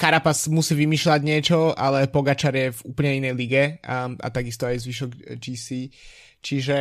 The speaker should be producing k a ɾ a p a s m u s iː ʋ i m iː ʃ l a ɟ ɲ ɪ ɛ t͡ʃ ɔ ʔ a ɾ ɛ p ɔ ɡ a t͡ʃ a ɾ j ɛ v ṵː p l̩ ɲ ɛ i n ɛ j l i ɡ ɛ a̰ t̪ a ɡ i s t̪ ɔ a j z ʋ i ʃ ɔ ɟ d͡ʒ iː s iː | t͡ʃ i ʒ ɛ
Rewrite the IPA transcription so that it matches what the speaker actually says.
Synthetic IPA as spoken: k a ɾ a p a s m u s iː ʋ i m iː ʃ l a ɟ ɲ ɪ ɛ t͡ʃ ɔ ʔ a l ɛ p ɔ ɡ a t͡ʃ a ɾ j ɛ v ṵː p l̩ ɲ ɛ i n ɛ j l i ɡ ɛ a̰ t̪ a ɡ i s t̪ ɔ a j z ʋ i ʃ ɔ ɡ d͡ʒ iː s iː | t͡ʃ i ʒ ɛ